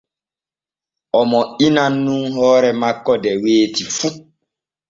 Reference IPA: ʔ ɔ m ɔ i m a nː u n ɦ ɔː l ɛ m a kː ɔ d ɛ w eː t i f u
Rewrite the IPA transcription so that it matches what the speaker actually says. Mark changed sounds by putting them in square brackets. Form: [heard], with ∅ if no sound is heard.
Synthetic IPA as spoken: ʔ ɔ m ɔ i [n] a nː u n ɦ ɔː [ɾ] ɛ m a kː ɔ d ɛ w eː t i f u

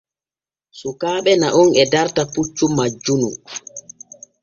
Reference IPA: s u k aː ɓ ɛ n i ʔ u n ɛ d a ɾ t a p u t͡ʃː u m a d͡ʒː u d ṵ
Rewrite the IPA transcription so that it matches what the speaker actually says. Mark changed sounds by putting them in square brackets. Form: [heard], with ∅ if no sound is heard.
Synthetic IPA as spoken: s u k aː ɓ ɛ n [a] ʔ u n ɛ d a ɾ t a p u t͡ʃː u m a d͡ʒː u [n] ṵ

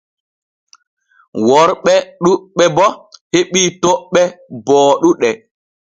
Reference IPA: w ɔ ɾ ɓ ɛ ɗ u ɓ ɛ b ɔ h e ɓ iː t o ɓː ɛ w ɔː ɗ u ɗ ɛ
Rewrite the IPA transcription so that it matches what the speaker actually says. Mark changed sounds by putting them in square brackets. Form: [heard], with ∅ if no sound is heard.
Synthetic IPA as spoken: w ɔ ɾ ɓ ɛ ɗ u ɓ ɛ b ɔ h e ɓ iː t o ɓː ɛ [b] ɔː ɗ u ɗ ɛ

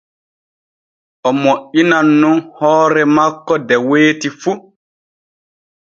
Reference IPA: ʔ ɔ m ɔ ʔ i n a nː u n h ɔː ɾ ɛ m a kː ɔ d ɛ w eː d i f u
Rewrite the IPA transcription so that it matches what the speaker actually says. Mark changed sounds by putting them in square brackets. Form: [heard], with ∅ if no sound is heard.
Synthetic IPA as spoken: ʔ ɔ m [o] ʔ i n a nː u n h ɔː ɾ ɛ m a kː ɔ d ɛ w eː [t] i f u

